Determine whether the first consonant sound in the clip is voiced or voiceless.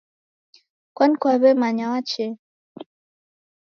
voiceless